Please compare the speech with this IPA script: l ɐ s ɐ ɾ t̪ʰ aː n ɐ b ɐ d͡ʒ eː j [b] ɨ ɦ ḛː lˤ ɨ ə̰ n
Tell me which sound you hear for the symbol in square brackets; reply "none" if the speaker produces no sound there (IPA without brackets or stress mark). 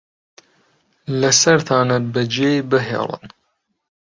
b